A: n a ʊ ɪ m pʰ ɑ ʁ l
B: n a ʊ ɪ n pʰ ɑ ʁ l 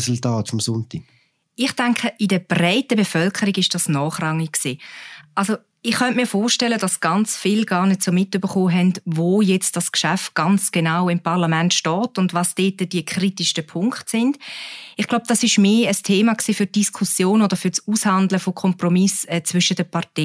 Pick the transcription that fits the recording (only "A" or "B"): A